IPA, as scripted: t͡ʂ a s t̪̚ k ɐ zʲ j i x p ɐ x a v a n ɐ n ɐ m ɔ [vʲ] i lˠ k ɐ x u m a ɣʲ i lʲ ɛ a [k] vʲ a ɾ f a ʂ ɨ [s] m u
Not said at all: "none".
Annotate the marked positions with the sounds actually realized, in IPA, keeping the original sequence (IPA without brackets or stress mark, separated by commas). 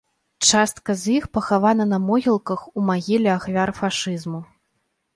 ɣʲ, x, z